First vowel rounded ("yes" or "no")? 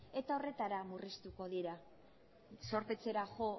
no